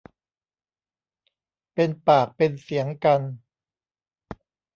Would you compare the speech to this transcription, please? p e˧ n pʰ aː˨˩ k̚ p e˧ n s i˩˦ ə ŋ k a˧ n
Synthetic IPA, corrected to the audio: p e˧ n p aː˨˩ k̚ p e˧ n s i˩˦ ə ŋ k a˧ n